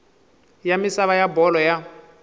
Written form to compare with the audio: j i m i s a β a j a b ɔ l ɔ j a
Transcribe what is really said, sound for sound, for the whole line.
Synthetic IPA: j a m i s a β a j a b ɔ l ɔ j a